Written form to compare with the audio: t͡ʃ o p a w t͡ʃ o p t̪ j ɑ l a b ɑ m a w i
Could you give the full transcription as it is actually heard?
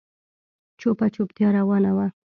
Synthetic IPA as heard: t͡ʃ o p a t͡ʃ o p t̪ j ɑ ɾ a w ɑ n a w a

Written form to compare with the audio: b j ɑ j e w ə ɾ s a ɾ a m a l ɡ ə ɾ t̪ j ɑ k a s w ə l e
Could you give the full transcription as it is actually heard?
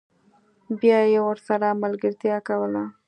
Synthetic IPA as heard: b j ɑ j e w ə ɾ s a ɾ a m a l ɡ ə ɾ t̪ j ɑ k a w ə l a

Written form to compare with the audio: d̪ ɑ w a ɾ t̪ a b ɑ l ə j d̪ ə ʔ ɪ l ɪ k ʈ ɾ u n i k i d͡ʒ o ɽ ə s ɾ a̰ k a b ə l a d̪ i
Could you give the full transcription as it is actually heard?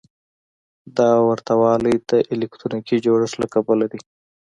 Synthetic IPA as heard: d̪ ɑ w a ɾ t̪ a w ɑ l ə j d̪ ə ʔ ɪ l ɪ k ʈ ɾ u n i k i d͡ʒ o ɽ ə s l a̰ k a b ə l a d̪ i

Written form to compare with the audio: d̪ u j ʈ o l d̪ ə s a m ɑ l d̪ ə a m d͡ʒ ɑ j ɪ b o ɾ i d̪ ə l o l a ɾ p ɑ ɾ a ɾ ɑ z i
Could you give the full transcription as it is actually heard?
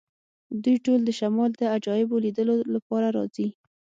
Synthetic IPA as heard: d̪ u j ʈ o l d̪ ə ʃ a m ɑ l d̪ ə a d͡ʒ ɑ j ɪ b o l i d̪ ə l o l a p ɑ ɾ a ɾ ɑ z i

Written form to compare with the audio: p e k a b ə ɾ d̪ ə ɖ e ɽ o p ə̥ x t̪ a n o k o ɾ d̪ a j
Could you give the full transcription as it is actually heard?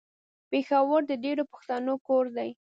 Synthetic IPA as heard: p e x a w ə ɾ d̪ ə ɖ e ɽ o p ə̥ x t̪ a n o k o ɾ d̪ a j

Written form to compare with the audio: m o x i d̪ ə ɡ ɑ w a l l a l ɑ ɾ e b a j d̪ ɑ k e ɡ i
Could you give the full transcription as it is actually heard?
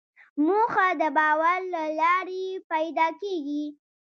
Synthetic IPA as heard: m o x a d̪ ə b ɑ w a ɾ l a l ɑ ɾ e p a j d̪ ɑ k e ɡ i

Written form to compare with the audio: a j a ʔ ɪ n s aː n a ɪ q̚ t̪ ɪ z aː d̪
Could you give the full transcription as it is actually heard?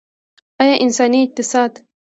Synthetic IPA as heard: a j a ʔ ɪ n s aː n i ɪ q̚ t̪ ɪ s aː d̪

